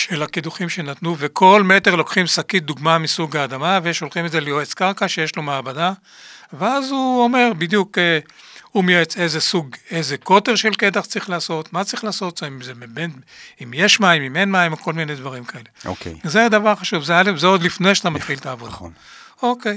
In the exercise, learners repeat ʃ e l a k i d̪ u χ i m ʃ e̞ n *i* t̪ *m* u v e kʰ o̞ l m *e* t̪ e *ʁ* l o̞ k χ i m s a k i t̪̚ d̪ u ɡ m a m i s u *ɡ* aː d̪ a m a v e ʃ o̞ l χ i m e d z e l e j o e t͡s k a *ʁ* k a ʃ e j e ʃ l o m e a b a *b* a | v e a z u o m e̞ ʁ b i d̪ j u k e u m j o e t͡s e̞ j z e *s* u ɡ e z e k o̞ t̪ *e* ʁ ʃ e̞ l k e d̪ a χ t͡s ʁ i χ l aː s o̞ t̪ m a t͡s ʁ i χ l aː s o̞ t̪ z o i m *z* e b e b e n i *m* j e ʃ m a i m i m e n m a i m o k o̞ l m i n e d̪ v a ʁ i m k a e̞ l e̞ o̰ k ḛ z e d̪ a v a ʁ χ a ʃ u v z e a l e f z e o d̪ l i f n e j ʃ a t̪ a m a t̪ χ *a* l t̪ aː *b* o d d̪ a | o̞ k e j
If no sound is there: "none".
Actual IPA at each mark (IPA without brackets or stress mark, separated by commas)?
a, n, e, ʁ, ɡ, ʁ, d, s, e, z, m, i, v